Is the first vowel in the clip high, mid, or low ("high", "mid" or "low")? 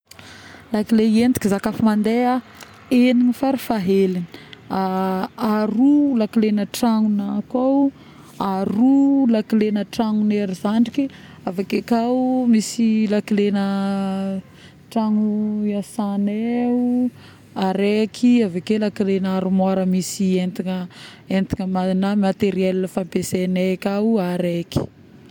low